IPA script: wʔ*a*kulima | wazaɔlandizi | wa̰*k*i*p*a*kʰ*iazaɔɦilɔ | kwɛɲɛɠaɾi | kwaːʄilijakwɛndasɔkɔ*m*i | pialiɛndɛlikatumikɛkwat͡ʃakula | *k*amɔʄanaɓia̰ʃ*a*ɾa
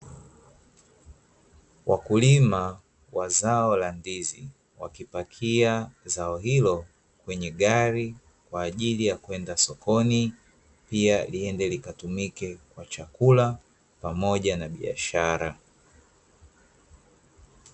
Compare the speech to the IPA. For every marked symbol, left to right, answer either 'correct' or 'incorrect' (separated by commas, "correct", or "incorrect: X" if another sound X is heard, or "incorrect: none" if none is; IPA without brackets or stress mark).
correct, correct, correct, correct, incorrect: n, incorrect: p, correct